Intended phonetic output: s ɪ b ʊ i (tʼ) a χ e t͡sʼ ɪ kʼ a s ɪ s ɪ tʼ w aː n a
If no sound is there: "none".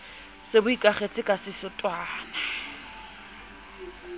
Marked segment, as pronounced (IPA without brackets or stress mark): kʼ